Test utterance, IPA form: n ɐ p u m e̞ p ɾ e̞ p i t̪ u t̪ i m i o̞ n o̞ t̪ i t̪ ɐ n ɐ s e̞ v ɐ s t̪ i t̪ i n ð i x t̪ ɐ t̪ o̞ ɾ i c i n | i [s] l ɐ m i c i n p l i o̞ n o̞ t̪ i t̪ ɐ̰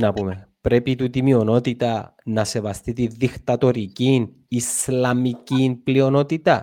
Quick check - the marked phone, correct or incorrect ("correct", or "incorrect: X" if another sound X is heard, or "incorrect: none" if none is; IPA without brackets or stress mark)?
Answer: correct